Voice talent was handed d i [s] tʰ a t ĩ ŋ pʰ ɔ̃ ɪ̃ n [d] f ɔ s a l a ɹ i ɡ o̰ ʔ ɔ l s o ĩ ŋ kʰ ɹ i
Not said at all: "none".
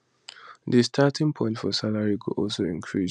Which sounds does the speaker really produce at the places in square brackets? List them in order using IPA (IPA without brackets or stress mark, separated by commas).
s, t